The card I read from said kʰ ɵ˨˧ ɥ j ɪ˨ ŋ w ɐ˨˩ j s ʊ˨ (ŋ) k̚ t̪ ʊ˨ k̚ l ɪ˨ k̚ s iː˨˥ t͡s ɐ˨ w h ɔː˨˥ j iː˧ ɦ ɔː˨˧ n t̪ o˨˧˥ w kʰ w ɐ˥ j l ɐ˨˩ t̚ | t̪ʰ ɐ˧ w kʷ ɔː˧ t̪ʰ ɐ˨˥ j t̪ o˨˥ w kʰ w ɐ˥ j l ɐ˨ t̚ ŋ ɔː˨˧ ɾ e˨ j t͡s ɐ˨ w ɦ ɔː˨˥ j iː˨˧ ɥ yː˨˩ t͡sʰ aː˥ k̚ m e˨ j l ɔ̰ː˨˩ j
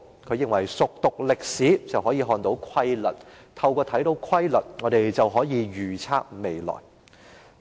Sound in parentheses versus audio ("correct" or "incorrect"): incorrect